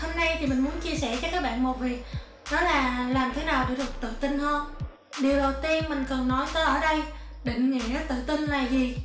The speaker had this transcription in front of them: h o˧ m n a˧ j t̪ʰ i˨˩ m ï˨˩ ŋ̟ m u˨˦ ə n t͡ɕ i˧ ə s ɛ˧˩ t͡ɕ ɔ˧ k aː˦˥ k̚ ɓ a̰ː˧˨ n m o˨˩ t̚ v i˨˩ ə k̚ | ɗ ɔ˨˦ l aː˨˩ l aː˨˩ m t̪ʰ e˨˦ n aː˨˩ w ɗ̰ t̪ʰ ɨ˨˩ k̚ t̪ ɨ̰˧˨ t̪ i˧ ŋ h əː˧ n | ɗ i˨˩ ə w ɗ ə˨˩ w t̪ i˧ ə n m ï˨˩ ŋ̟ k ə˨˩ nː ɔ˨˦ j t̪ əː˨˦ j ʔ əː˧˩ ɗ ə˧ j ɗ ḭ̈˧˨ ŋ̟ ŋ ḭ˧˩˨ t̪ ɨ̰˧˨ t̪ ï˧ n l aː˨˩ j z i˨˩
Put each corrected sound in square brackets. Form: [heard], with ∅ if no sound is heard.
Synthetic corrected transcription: h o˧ m n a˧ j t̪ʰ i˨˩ m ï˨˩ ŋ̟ m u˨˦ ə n t͡ɕ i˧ ə s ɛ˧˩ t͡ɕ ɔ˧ k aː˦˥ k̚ ɓ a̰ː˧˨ n m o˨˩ t̚ v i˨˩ ə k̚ | ɗ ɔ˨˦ l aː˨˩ l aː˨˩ m t̪ʰ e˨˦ n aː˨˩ w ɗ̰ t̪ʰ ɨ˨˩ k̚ t̪ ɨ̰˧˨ t̪ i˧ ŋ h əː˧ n | ɗ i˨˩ ə w ɗ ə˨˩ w t̪ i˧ ə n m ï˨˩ ŋ̟ k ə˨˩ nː ɔ˨˦ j t̪ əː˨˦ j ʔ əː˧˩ ɗ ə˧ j ɗ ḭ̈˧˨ ŋ̟ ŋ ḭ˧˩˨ t̪ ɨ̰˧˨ t̪ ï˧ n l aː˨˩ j z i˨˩